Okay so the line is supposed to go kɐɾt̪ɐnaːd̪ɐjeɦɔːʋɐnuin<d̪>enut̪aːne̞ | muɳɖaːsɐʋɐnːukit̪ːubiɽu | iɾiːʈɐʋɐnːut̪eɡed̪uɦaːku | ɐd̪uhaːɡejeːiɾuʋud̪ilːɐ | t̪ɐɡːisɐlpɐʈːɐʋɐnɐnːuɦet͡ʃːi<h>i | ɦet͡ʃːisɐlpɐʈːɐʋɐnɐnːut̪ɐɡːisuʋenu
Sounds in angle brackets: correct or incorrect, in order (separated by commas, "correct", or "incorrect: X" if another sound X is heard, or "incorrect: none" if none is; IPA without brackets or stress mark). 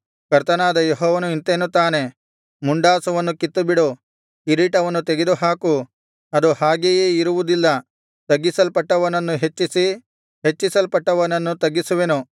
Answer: incorrect: t̪, incorrect: s